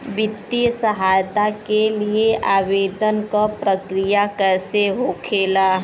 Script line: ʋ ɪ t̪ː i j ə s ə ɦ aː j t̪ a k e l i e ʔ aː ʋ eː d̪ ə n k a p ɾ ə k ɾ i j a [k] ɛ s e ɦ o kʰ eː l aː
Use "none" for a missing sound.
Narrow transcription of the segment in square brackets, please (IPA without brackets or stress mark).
k